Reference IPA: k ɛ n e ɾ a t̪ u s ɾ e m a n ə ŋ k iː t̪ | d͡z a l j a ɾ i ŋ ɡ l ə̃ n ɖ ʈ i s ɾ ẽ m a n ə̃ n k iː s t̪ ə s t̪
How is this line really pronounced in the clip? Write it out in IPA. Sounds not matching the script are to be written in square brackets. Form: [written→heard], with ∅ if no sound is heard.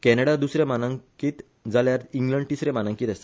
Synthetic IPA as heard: k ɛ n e [ɾ→ɽ] a [t̪→d̪] u s ɾ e m a n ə ŋ k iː t̪ | d͡z a l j a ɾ i ŋ ɡ l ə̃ [n→ɳ] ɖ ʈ i s ɾ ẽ m a n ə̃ [n→ŋ] k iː [s→∅] t̪ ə s t̪

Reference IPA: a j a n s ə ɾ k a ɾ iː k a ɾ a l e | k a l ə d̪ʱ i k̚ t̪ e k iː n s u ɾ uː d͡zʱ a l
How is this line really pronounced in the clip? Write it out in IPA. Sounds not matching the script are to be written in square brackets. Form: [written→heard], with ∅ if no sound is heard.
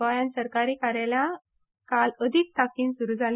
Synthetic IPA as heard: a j a n s ə ɾ k a ɾ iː k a ɾ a l [e→a] | k a l ə d̪ʱ i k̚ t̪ [e→a] k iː n s u ɾ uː d͡zʱ a l

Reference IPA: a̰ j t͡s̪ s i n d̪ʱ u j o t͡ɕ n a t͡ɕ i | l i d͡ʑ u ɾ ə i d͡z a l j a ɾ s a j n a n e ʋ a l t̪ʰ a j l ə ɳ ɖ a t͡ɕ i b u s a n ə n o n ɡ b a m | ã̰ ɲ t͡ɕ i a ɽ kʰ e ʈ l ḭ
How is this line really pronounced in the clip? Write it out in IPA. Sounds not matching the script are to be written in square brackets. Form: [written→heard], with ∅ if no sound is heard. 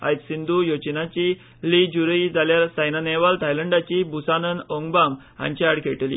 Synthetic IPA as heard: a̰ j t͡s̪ s i n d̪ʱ u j o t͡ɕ n a t͡ɕ i | l i d͡ʑ u ɾ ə i d͡z a l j a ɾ s a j n a n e ʋ a l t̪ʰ a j l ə ɳ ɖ a t͡ɕ i b u s a n ə n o [n→ŋ] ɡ b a m | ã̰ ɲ t͡ɕ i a ɽ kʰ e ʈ l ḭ

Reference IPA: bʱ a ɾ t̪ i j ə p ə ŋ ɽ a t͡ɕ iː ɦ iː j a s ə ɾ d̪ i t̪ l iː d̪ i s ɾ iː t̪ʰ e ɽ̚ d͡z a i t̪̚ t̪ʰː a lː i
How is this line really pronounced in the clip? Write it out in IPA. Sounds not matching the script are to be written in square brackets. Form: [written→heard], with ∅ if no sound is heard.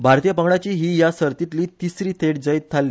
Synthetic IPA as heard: bʱ a ɾ t̪ i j ə p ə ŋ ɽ a t͡ɕ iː ɦ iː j a s ə ɾ [d̪→t̪] i t̪ l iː [d̪→t̪] i s ɾ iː t̪ʰ e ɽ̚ d͡z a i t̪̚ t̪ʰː a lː i

